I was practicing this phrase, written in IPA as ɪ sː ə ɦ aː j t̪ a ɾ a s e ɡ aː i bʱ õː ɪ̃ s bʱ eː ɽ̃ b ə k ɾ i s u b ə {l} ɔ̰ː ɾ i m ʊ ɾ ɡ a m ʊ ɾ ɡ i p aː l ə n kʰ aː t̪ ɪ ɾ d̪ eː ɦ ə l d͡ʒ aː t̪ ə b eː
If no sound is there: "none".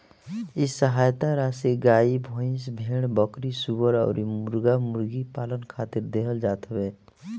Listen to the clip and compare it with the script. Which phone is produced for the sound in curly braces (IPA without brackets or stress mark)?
ɾ